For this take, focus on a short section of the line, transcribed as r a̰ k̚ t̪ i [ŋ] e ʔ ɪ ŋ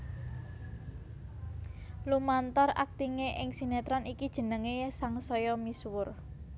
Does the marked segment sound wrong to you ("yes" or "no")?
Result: no